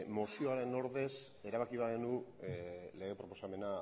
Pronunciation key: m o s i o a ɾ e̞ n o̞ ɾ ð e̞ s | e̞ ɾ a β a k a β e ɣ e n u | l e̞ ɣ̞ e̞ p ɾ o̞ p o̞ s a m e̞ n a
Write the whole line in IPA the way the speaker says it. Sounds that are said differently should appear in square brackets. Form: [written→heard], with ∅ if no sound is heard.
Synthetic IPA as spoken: m o s i o a ɾ e̞ n o̞ ɾ ð e̞ s | e̞ ɾ a β a k [a→i] β [e→a] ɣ e n u | l e̞ ɣ̞ e̞ p ɾ o̞ p o̞ s a m e̞ n a